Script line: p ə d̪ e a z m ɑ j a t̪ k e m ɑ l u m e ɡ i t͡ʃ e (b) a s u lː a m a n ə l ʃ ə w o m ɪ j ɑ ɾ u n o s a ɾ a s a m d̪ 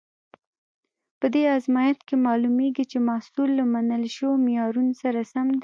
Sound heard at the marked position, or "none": m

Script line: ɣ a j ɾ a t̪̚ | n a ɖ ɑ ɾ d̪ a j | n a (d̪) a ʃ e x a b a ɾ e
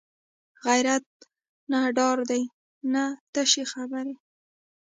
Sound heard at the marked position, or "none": t̪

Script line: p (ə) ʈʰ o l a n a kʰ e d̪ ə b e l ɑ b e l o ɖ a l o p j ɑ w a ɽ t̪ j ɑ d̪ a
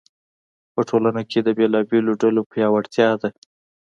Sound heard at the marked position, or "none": ə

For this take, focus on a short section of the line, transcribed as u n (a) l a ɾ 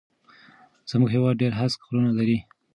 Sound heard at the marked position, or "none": a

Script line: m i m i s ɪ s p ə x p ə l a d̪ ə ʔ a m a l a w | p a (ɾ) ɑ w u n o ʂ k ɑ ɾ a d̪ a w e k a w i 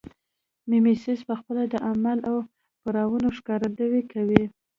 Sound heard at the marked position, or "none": ɾ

